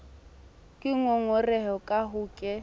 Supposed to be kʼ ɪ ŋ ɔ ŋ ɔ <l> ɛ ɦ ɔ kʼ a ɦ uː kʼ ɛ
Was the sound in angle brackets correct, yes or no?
no